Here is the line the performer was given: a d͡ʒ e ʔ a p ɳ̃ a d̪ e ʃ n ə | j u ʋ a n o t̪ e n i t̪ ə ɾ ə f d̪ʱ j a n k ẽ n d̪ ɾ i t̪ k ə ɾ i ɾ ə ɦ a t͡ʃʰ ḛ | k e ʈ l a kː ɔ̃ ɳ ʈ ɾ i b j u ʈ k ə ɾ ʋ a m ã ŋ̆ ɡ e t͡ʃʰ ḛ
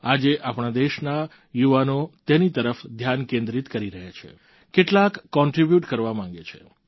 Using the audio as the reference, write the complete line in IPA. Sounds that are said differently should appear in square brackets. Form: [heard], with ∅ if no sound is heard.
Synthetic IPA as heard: a d͡ʒ e ʔ a p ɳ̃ a d̪ e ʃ n [a] | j u ʋ a n o t̪ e n i t̪ ə ɾ ə f d̪ʱ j a n k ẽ n d̪ ɾ i t̪ k ə ɾ i ɾ ə ɦ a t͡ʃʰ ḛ | k e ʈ l a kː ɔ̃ ɳ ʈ ɾ i b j u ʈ k ə ɾ ʋ a m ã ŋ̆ ɡ e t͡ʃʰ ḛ

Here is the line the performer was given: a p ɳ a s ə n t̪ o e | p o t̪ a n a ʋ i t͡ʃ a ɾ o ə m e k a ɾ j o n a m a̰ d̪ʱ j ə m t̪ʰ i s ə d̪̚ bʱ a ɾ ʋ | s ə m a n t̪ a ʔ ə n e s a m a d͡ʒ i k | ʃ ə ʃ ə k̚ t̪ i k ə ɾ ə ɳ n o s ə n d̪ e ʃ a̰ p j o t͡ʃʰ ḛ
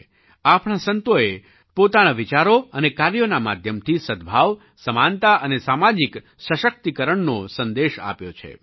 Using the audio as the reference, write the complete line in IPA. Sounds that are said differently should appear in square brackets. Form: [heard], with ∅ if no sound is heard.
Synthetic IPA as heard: a p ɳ a s ə n t̪ o e | p o t̪ a n a ʋ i t͡ʃ a ɾ o ə [n] e k a ɾ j o n a m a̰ d̪ʱ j ə m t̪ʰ i s ə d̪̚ bʱ a [∅] ʋ | s ə m a n t̪ a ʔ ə n e s a m a d͡ʒ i k | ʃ ə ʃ ə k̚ t̪ i k ə ɾ ə ɳ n o s ə n d̪ e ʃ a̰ p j o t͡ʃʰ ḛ

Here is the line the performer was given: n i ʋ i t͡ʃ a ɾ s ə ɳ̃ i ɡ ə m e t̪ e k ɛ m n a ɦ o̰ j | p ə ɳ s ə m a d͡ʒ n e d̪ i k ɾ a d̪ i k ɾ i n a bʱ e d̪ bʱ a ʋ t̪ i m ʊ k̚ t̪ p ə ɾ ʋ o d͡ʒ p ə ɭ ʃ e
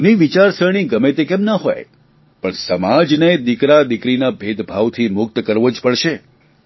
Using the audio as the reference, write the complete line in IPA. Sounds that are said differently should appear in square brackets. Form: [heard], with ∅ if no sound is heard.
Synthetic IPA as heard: n i ʋ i t͡ʃ a ɾ s ə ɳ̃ i ɡ ə m e t̪ e k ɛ m n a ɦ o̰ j | p ə ɳ s ə m a d͡ʒ n e d̪ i k ɾ a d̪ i k ɾ i n a bʱ e d̪ bʱ a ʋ [t̪ʰ] i m ʊ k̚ t̪ [k] ə ɾ ʋ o d͡ʒ p ə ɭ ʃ e

